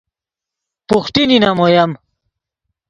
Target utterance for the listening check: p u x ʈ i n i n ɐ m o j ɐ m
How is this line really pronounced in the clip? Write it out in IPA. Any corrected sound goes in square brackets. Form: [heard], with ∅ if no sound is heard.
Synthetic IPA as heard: p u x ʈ i n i n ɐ m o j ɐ m